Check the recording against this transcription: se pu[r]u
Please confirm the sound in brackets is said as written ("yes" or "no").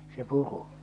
yes